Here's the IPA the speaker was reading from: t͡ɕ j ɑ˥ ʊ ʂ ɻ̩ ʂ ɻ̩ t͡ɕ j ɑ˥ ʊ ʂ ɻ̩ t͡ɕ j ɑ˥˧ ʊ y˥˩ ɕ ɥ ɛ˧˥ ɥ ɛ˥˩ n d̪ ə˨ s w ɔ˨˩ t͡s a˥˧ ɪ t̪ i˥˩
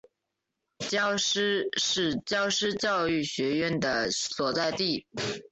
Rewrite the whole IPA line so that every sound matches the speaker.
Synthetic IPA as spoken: t͡ɕ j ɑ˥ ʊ ʂ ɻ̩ ʂ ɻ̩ t͡ɕ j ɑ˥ ʊ ʂ ɻ̩ t͡ɕ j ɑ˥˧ ʊ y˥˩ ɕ ɥ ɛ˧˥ ɥ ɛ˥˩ n d̪ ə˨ s w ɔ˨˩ t͡s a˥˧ ɪ t̪ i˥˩